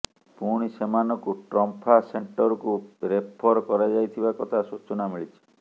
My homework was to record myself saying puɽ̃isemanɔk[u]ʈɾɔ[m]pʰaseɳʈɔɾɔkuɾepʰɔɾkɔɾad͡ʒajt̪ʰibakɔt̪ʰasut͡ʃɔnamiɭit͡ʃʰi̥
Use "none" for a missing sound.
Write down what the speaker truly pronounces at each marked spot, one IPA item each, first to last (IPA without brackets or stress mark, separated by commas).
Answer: u, m